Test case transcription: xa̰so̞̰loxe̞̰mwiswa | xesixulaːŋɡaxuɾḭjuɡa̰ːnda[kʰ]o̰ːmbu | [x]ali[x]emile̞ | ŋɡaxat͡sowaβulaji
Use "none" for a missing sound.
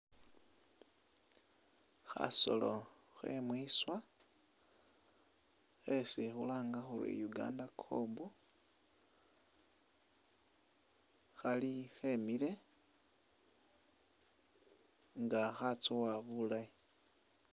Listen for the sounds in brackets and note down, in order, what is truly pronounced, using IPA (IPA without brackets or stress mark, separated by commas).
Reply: kʰ, x, x